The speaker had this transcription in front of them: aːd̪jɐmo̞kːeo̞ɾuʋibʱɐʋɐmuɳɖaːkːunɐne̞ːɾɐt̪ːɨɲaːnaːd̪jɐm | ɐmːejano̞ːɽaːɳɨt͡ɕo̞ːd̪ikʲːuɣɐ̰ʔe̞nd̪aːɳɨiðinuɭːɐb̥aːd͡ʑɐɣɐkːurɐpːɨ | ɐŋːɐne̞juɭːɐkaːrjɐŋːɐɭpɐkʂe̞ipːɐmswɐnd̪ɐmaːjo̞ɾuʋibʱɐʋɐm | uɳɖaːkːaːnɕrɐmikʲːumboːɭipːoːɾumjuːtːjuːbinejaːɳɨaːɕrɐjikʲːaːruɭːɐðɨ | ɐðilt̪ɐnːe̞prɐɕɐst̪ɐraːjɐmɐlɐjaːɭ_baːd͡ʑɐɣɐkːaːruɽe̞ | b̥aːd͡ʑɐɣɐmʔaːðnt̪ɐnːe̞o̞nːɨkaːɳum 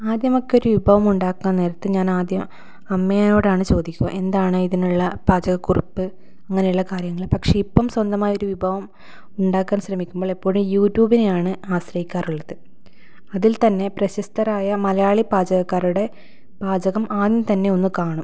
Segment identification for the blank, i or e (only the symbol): i